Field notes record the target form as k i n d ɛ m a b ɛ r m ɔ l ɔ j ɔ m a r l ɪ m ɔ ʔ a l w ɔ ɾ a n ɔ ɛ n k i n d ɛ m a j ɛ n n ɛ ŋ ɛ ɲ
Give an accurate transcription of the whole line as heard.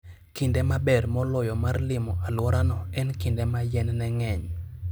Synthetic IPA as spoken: k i n d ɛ m a b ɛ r m ɔ l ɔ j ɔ m a r l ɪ m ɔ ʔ a l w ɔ ɾ a n ɔ ɛ n k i n d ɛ m a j ɛ n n ɛ ŋ ɛ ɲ

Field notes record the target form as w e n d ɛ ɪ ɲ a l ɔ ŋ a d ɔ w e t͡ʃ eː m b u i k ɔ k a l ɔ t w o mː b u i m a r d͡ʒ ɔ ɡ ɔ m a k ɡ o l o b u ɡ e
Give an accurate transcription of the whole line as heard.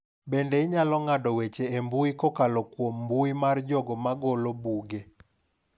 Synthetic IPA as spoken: b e n d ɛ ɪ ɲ a l ɔ ŋ a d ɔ w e t͡ʃ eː m b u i k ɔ k a l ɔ k w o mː b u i m a r d͡ʒ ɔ ɡ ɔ m a ɡ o l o b u ɡ e

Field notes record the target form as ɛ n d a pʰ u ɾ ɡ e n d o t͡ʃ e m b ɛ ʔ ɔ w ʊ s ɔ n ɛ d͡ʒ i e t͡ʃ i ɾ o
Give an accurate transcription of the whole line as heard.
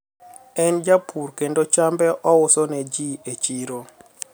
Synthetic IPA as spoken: ɛ n d͡ʒ a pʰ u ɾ k e n d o t͡ʃ a m b ɛ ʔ ɔ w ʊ s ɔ n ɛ d͡ʒ i e t͡ʃ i ɾ o

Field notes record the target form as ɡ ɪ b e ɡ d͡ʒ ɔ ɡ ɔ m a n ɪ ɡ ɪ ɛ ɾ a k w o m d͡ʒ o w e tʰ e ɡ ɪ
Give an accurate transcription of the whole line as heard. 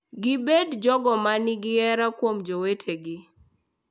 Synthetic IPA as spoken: ɡ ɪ b e d d͡ʒ ɔ ɡ ɔ m a n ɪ ɡ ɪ ɛ ɾ a k w o m d͡ʒ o w e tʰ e ɡ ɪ

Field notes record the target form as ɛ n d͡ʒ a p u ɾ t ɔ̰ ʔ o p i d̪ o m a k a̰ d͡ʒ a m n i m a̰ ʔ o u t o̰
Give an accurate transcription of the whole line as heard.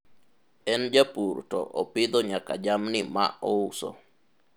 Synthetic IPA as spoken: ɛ n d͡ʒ a p u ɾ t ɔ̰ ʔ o p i d̪ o ɲ a k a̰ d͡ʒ a m n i m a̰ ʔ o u s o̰

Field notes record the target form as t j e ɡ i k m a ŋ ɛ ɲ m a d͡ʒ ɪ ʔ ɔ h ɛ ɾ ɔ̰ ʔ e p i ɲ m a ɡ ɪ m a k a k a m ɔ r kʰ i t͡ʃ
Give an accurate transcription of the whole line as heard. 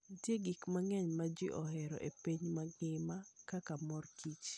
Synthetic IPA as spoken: t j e ɡ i k m a ŋ ɛ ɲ m a d͡ʒ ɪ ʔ ɔ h ɛ ɾ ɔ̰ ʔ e p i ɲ m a ɡ ɪ m a k a k a m ɔ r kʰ i t͡ʃ

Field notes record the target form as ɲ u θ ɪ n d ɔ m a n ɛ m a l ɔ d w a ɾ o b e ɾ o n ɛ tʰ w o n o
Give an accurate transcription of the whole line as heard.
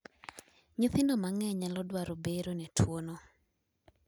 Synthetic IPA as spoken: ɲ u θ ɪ n d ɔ m a ŋ ɛ ɲ a l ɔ d w a ɾ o b e ɾ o n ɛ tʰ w o n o

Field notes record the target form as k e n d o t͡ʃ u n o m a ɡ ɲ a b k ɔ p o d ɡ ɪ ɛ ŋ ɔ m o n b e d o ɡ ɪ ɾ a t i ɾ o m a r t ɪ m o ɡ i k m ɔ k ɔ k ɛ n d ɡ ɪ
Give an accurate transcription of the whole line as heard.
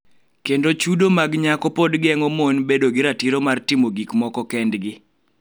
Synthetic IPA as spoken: k e n d o t͡ʃ u d o m a ɡ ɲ a k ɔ p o d ɡ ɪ ɛ ŋ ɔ m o n b e d o ɡ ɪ ɾ a t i ɾ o m a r t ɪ m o ɡ i k m ɔ k ɔ k ɛ n d ɡ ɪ

